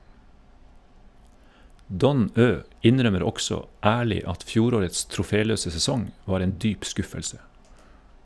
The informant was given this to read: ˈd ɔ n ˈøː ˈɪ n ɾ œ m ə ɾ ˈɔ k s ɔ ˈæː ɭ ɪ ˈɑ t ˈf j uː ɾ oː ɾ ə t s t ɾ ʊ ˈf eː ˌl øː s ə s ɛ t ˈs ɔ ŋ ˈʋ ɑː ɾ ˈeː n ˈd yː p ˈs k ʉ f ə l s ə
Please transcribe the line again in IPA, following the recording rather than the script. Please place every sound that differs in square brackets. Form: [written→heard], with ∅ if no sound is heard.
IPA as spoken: ˈd ɔ n ˈøː ˈɪ n ɾ œ m ə ɾ ˈɔ k s ɔ ˈæː ɭ ɪ ˈɑ t ˈf j uː ɾ oː ɾ ə t s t ɾ ʊ ˈf eː ˌl øː s ə s ɛ [t→∅] ˈs ɔ ŋ ˈʋ ɑː ɾ ˈeː n ˈd yː p ˈs k ʉ f ə l s ə